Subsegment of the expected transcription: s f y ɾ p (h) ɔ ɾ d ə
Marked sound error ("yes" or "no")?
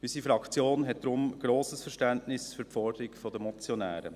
yes